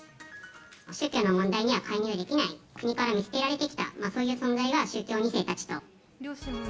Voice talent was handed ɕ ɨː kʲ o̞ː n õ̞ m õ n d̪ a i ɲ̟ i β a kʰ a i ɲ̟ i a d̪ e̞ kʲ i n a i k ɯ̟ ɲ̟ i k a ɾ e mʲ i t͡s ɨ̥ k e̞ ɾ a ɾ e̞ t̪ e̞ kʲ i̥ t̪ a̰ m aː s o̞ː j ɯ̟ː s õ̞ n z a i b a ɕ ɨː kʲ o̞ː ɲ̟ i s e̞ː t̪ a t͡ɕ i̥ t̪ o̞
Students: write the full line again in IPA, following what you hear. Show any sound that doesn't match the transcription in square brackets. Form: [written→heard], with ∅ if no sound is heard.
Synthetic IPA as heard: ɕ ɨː kʲ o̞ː n [õ̞→o̞] m õ n d̪ a i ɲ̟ i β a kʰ a i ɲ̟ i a d̪ e̞ kʲ i n a i k ɯ̟ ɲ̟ i k a ɾ [e→a] mʲ i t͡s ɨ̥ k e̞ ɾ a ɾ e̞ t̪ e̞ kʲ i̥ t̪ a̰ m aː s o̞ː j ɯ̟ː s õ̞ n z a i [b→β] a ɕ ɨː kʲ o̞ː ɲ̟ i s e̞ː t̪ a t͡ɕ i̥ t̪ o̞